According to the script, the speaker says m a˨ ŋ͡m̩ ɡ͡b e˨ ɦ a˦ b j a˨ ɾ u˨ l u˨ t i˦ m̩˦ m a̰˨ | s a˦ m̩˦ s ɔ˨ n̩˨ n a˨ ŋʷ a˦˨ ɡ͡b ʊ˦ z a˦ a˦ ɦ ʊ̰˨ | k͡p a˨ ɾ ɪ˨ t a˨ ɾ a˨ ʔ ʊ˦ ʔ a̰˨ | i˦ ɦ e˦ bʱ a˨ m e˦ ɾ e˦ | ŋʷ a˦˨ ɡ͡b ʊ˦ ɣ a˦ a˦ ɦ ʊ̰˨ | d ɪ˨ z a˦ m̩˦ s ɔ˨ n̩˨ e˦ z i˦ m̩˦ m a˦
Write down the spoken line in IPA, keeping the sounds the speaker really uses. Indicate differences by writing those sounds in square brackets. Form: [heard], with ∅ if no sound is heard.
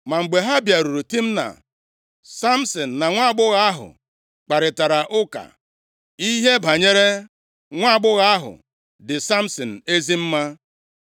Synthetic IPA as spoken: m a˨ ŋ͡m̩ ɡ͡b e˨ ɦ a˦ b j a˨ ɾ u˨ [ɾ] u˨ t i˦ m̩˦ [n] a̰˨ | s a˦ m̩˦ s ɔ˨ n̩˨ n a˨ ŋʷ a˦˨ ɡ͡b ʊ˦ [ɣ] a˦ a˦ ɦ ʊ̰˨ | k͡p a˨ ɾ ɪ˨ t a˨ ɾ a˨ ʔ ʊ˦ [k] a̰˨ | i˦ ɦ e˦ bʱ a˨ [ɲ] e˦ ɾ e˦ | ŋʷ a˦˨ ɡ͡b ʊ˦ ɣ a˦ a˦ ɦ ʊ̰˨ | d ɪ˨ [s] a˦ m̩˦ s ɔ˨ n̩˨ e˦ z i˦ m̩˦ m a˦